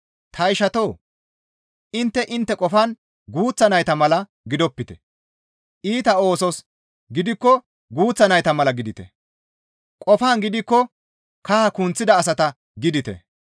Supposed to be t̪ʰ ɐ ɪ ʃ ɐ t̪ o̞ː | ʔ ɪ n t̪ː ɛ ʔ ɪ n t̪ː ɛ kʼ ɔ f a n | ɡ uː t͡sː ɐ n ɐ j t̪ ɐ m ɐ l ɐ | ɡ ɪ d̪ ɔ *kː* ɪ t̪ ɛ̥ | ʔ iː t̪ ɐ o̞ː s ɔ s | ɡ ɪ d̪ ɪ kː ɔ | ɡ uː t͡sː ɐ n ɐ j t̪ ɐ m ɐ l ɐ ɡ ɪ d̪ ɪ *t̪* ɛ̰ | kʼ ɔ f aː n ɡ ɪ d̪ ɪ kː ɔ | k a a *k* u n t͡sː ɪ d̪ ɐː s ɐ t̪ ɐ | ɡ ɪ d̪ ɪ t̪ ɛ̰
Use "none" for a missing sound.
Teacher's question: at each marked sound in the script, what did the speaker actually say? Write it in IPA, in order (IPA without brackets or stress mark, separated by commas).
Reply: pː, t̪, k